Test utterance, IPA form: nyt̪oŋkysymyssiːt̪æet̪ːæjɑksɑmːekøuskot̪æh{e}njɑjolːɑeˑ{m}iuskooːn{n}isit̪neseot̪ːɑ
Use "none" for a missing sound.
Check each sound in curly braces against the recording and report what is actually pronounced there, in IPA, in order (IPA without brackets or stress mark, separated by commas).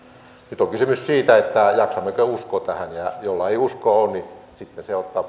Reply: æ, none, n